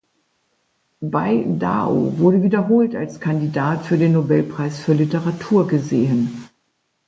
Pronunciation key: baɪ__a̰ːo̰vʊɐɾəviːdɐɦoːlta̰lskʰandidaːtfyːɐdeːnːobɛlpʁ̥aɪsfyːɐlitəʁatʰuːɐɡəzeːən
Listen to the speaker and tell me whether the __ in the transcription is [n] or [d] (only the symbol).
d